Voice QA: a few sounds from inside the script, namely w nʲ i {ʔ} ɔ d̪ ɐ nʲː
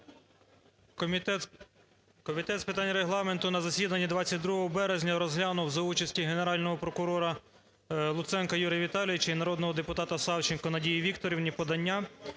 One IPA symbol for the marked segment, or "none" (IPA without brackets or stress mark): p